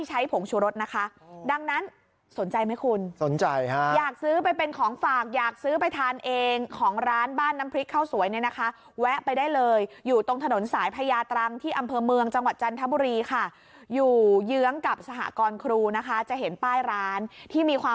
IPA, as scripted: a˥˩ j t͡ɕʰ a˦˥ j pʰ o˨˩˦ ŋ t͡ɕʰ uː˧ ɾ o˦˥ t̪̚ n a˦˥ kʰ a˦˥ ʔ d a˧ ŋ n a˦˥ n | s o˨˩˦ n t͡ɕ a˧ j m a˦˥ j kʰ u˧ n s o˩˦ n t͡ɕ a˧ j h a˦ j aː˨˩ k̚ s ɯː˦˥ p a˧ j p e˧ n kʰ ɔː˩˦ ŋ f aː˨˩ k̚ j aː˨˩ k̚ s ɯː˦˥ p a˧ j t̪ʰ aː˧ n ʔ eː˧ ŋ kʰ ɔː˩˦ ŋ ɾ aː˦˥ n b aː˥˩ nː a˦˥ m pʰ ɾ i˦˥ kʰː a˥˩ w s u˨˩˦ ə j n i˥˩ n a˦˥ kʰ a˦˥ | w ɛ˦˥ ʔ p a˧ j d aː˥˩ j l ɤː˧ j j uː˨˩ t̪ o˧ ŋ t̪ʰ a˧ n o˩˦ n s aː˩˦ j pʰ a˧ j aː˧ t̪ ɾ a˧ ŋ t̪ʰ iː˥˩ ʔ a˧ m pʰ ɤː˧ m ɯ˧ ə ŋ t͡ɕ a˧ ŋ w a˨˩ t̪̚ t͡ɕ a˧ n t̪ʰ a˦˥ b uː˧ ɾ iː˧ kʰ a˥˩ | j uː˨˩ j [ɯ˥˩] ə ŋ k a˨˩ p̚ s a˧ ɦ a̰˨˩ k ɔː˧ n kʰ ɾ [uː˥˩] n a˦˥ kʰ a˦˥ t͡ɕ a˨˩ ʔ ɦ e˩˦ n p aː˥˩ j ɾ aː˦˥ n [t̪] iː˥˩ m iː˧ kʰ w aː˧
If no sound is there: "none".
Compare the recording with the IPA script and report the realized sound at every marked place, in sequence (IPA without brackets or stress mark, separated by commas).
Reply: ɯ˦˥, uː˧, t̪ʰ